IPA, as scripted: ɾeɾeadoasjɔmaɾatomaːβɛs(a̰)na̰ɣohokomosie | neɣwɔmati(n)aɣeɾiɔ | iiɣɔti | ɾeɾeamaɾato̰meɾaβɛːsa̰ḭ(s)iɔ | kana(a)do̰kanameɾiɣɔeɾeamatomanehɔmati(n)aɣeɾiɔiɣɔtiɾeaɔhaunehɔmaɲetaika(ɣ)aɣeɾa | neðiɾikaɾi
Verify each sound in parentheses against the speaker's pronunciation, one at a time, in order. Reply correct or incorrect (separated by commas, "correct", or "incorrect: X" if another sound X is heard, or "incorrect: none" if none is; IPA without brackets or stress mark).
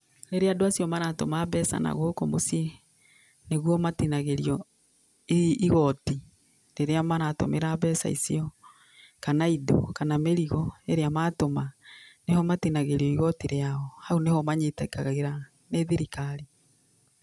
correct, correct, correct, incorrect: i, correct, correct